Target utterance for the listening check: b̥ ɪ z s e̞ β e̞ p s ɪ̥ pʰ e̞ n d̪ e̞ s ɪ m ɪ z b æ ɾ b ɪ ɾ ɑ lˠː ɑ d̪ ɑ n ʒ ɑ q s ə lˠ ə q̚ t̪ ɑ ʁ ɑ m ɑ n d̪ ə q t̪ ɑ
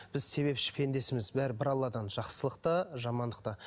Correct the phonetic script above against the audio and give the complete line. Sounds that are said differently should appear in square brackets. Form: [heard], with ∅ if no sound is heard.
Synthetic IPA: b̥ ɪ z s e̞ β e̞ p [ʃ] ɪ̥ pʰ e̞ n d̪ e̞ s ɪ m ɪ z b æ ɾ b ɪ ɾ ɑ lˠː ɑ d̪ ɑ n ʒ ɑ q s ə lˠ ə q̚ t̪ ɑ [ʒ] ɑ m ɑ n d̪ ə q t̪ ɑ